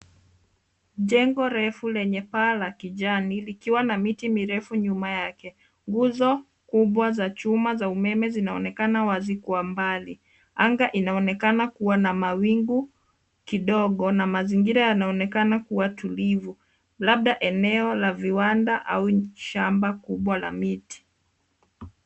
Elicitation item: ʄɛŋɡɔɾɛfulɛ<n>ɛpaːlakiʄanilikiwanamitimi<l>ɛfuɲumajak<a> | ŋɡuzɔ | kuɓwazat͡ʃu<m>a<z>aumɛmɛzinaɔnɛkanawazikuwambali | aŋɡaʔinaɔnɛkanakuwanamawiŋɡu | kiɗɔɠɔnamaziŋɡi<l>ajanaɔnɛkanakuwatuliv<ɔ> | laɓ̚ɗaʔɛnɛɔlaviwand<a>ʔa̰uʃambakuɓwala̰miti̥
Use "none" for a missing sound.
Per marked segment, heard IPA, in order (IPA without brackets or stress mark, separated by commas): ɲ, ɾ, ɛ, m, z, ɾ, u, a